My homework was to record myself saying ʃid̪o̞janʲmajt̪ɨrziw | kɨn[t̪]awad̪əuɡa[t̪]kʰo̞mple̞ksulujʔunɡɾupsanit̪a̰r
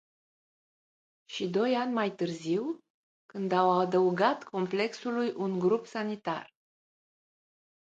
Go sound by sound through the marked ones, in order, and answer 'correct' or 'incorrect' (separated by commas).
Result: incorrect, correct